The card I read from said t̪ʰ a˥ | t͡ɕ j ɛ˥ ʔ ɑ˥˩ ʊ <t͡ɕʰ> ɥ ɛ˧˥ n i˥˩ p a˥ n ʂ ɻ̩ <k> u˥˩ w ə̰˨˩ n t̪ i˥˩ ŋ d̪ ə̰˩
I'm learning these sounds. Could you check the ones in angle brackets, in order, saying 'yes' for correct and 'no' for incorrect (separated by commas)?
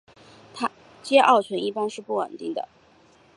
yes, no